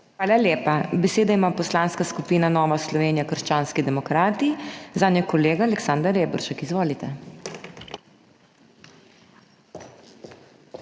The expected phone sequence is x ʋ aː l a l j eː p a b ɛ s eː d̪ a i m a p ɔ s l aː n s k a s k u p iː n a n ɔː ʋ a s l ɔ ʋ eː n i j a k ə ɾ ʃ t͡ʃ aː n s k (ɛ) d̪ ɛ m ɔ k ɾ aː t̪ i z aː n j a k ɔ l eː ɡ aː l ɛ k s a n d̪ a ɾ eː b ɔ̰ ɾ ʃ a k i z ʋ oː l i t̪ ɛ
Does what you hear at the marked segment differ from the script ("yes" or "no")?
yes